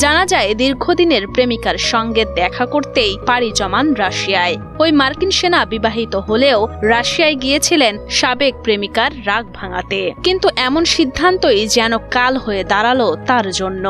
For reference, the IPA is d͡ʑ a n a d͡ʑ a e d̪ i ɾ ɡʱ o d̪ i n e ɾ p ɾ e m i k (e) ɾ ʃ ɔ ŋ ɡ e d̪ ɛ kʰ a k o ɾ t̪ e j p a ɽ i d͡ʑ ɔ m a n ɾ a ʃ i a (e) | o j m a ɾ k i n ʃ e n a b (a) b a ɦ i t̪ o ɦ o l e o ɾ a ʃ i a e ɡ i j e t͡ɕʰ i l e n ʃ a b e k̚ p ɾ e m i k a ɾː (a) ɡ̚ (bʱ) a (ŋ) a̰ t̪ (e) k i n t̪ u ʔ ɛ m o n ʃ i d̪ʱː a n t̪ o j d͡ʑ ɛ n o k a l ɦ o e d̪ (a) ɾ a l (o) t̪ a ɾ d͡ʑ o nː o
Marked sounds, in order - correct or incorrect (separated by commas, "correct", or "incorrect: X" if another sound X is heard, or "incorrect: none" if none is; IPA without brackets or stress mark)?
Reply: incorrect: a, correct, incorrect: i, correct, correct, correct, correct, correct, correct